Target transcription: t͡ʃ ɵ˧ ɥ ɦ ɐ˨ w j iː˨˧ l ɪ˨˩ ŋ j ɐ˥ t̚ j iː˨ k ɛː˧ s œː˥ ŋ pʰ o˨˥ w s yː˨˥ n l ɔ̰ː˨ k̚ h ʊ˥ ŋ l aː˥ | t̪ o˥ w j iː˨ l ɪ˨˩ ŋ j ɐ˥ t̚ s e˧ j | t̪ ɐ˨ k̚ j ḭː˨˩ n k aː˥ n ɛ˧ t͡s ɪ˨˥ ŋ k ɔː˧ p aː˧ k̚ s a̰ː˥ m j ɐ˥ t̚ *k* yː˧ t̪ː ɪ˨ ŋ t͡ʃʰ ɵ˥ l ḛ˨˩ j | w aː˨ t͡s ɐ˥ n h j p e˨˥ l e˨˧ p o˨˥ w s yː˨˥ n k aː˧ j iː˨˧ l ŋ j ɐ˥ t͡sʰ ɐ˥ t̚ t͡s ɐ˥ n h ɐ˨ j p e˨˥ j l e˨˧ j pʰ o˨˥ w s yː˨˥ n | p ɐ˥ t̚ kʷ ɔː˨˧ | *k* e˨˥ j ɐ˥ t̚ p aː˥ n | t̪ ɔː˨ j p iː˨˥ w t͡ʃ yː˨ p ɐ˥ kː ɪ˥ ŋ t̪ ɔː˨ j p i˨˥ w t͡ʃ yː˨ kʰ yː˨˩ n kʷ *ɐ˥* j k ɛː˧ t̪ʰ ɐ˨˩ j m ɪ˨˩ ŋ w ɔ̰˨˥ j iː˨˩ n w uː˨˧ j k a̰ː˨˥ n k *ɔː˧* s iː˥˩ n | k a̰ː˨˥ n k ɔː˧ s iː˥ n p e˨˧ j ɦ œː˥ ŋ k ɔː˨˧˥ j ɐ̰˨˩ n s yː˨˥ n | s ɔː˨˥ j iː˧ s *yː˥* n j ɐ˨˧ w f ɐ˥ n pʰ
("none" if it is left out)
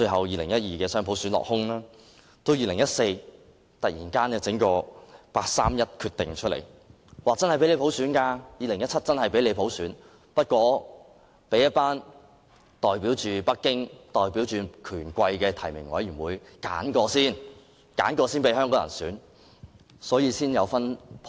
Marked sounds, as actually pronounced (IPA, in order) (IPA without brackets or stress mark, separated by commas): kʰ, p, ɐ˧, ɔː˧, iː˥